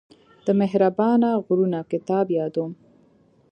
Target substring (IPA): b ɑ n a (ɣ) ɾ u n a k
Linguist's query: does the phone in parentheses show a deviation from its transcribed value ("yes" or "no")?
no